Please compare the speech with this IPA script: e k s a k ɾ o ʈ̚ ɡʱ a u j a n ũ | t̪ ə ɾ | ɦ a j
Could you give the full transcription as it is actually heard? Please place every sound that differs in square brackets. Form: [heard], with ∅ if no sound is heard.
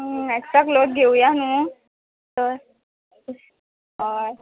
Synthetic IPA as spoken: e k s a k [l] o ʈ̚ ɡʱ [e] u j a n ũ | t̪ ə ɾ | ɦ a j